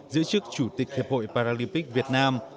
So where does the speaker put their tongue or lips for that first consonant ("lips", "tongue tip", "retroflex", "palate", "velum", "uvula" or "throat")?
tongue tip